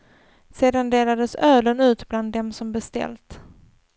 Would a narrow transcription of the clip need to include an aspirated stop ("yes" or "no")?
no